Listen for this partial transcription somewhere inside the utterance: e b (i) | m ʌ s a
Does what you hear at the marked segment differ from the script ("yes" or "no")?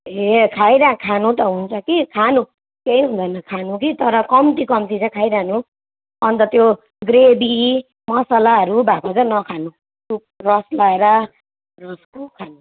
no